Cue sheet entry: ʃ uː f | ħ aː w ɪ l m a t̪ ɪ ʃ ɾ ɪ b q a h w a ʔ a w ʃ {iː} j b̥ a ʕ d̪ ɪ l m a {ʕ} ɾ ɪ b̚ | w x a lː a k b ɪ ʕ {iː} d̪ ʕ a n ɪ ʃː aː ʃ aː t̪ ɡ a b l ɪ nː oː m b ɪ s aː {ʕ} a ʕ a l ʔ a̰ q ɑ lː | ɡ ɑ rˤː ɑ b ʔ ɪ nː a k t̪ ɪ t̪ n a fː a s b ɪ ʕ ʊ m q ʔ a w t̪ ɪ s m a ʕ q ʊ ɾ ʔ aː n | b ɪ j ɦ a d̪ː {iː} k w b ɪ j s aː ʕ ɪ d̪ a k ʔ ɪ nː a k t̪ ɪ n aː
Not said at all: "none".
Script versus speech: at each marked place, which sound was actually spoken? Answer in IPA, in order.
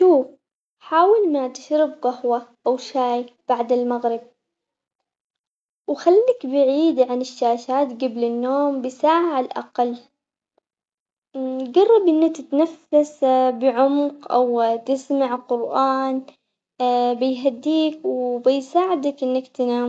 aː, ɣ, iː, ʕ, iː

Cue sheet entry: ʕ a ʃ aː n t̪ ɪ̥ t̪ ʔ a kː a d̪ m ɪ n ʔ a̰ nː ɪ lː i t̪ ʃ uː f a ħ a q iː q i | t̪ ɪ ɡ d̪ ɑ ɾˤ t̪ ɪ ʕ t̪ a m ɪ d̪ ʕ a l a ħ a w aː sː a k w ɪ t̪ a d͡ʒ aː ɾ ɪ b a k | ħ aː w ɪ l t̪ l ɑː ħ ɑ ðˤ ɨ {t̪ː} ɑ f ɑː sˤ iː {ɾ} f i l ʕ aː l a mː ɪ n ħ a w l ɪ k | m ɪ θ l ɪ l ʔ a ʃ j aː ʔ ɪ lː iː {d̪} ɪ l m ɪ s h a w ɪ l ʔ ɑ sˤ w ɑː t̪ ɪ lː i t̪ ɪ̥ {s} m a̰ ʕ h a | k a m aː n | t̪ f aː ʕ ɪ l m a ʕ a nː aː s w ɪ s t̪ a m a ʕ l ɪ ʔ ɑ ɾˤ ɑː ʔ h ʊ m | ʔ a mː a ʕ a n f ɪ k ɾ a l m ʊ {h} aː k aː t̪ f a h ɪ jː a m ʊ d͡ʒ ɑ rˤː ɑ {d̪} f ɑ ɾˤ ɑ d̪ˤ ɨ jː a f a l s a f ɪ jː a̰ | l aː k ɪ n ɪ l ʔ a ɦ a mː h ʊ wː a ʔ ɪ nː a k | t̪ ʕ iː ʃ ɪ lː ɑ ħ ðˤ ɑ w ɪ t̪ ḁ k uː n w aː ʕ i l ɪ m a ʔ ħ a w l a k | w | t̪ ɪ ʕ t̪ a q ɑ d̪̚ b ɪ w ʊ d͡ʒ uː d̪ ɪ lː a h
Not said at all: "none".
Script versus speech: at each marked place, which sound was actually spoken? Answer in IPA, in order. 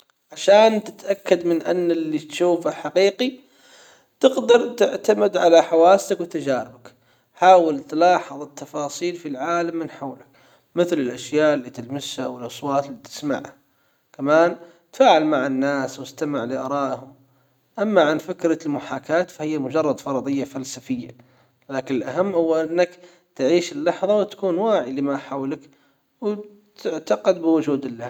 t̪ː, l, t̪, s, ħ, d̪

